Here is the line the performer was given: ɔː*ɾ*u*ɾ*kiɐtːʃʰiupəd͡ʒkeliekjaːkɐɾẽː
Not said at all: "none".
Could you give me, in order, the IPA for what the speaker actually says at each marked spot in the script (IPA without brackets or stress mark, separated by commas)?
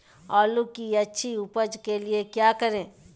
l, none